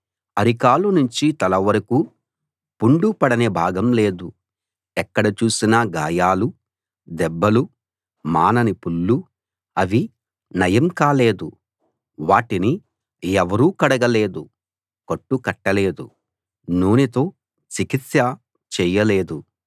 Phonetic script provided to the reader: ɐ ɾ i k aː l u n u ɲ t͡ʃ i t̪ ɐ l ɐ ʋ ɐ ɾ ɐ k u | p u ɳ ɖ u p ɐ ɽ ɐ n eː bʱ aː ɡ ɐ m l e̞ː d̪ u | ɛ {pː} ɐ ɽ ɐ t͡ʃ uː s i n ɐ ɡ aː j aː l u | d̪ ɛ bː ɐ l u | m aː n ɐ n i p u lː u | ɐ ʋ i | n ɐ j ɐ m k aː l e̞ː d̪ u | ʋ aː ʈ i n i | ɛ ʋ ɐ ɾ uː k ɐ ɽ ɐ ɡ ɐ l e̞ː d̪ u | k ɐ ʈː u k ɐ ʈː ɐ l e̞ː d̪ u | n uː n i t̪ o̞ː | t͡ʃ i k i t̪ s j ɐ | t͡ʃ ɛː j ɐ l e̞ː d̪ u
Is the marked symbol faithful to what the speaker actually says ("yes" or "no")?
no